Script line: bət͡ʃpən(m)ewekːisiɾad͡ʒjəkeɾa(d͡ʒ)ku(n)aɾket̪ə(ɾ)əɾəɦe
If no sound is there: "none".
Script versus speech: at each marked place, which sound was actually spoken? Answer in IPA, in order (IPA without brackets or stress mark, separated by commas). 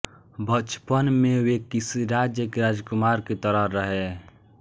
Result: m, d͡ʒ, m, ɾ